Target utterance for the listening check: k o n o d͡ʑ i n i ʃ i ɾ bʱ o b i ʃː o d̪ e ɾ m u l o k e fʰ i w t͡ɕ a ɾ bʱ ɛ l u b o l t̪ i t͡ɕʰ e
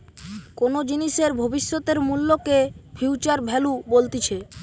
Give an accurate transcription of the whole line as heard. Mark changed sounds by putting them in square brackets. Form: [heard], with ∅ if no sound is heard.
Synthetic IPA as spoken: k o n o d͡ʑ i n i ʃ [e] ɾ bʱ o b i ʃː o [t̪] e ɾ m u [lː] o k e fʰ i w t͡ɕ a ɾ bʱ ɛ l u b o l t̪ i t͡ɕʰ e